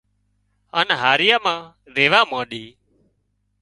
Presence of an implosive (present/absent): present